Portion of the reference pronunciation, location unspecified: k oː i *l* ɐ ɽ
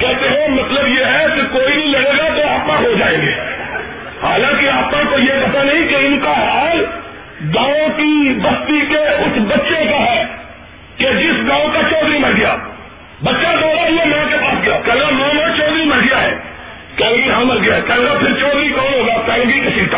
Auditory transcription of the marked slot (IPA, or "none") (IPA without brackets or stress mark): l